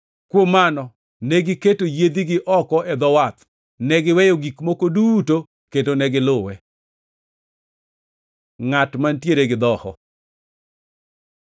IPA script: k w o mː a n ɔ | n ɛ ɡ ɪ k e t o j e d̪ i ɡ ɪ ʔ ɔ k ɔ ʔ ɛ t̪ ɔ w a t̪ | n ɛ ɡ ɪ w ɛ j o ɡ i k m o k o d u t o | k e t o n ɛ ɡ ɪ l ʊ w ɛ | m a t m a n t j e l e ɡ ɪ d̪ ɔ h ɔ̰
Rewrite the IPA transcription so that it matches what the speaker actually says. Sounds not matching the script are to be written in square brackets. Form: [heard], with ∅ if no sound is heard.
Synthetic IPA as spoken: k w o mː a n ɔ | n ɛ ɡ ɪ k e t o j e d̪ i ɡ ɪ ʔ ɔ k ɔ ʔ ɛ [d̪] ɔ w a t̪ | n ɛ ɡ ɪ w ɛ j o ɡ i k m o k o d u t o | k e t o n ɛ ɡ ɪ l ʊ w ɛ | [ŋ] a t m a n t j e [ɾ] e ɡ ɪ d̪ ɔ h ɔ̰

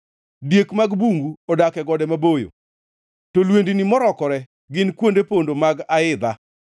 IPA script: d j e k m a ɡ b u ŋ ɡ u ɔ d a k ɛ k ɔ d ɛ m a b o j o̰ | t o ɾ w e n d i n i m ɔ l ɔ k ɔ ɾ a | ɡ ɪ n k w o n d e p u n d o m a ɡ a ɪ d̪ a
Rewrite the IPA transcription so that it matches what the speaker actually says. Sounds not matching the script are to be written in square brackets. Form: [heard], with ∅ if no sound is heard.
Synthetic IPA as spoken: d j e k m a ɡ b u ŋ ɡ u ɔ d a k ɛ [ɡ] ɔ d ɛ m a b o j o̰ | t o [l] w e n d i n i m ɔ [ɾ] ɔ k ɔ ɾ [ɛ] | ɡ ɪ n k w o n d e p [o] n d o m a ɡ a ɪ d̪ a

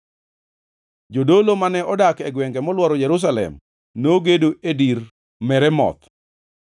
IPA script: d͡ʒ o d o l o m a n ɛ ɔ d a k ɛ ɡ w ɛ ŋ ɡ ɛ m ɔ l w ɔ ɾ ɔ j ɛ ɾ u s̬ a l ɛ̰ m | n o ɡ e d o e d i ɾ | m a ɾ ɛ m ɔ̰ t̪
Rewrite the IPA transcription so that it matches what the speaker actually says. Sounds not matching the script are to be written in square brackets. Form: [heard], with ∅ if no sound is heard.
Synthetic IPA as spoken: d͡ʒ o d o l o m a n ɛ ɔ d a k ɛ ɡ w ɛ ŋ ɡ ɛ m ɔ l w ɔ ɾ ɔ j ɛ ɾ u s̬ a l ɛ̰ m | n o ɡ e d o e d i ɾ | m [ɛ] ɾ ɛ m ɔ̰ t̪

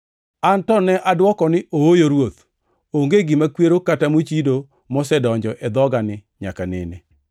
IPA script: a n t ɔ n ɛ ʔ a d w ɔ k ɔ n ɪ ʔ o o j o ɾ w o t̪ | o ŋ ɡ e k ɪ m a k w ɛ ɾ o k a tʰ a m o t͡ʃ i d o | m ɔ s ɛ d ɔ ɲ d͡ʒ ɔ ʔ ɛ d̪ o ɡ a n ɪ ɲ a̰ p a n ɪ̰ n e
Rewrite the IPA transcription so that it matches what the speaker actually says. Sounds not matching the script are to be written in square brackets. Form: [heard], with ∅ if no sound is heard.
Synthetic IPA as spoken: a n t ɔ n ɛ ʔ a d w ɔ k ɔ n ɪ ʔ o o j o ɾ w o t̪ | o ŋ ɡ e [ɡ] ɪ m a k w [e] ɾ o k a [t] a m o t͡ʃ i d o | m ɔ s ɛ d ɔ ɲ d͡ʒ ɔ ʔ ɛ d̪ [ɔ] ɡ a n ɪ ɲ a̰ [k] a n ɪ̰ n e

